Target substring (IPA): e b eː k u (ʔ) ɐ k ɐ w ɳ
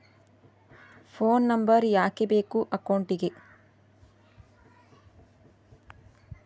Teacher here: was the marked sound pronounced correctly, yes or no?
yes